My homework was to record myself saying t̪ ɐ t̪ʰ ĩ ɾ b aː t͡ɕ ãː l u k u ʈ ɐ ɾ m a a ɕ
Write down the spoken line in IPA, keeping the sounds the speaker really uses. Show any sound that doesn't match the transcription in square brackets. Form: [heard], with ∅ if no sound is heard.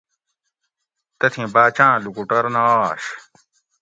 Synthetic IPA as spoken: t̪ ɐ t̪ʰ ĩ [∅] b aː t͡ɕ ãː l u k u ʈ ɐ ɾ [n] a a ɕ